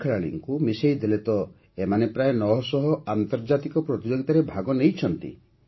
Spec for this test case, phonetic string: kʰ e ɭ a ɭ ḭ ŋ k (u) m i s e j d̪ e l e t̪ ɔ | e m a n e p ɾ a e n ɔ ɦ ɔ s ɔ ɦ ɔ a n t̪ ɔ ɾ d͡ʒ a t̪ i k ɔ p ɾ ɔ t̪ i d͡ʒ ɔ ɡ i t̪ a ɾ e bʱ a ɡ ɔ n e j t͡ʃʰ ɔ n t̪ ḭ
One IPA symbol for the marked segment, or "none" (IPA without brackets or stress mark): u